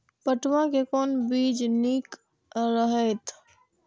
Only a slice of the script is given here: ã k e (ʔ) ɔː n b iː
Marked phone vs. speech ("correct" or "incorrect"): incorrect